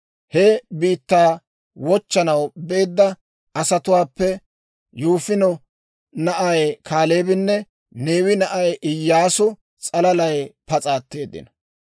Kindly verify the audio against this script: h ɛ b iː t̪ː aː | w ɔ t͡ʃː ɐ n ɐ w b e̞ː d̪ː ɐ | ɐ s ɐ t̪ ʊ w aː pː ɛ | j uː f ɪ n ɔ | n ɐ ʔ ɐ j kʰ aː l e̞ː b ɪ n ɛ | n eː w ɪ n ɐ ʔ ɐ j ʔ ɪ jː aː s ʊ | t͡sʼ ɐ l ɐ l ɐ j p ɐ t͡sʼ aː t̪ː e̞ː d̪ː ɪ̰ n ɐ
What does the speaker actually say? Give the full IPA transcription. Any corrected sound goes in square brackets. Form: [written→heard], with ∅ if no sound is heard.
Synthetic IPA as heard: h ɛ b iː t̪ː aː | w ɔ t͡ʃː ɐ n ɐ w b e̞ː d̪ː ɐ | ɐ s ɐ t̪ ʊ w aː pː ɛ | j uː f ɪ n ɔ | n ɐ ʔ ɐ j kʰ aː l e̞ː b ɪ [n→nː] ɛ | n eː w ɪ n ɐ ʔ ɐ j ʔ ɪ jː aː s ʊ | t͡sʼ ɐ l ɐ l ɐ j p ɐ t͡sʼ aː t̪ː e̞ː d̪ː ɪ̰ n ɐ